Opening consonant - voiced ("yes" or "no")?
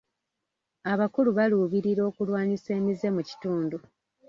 yes